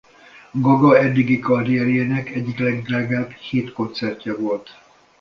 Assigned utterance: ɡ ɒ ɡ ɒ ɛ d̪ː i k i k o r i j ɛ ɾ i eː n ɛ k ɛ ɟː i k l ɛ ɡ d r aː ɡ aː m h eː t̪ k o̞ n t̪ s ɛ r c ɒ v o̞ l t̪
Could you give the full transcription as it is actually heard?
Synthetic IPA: ɡ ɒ ɡ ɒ ɛ d̪ː i ɡ i k ɒ r i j ɛ ɾ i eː n ɛ k ɛ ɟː i k l ɛ ɡ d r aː ɡ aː b h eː t̪ k o̞ n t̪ s ɛ r c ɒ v o̞ l t̪